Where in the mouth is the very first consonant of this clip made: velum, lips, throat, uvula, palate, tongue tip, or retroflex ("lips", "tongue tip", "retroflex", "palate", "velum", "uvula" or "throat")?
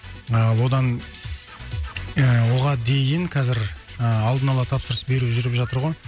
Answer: tongue tip